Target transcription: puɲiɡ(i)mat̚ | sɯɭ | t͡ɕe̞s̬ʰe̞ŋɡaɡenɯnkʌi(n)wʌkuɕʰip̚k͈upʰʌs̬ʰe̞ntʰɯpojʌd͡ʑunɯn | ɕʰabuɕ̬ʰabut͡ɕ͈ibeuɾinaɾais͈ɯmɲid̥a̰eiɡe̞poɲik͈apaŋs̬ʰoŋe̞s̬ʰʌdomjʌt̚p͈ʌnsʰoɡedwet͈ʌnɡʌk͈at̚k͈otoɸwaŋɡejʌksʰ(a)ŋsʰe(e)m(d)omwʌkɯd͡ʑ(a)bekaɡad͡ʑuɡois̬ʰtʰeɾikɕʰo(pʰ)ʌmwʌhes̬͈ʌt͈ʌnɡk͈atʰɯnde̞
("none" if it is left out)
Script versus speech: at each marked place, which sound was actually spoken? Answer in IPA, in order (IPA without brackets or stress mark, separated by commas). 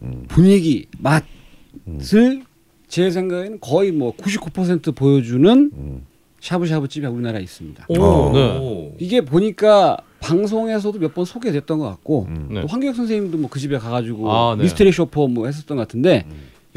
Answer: i, m, ʌ, i, d, i, pʰ